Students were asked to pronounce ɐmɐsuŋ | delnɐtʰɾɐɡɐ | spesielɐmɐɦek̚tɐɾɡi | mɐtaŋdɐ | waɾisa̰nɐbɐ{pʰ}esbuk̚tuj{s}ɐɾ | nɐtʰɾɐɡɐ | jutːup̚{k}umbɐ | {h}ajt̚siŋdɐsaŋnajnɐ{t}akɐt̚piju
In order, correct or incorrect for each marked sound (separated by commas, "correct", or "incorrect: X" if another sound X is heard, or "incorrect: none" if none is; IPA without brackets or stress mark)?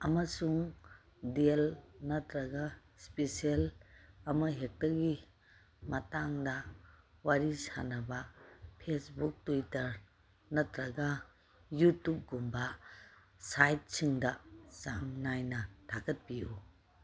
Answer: correct, incorrect: t, incorrect: ɡ, incorrect: s, incorrect: tʰ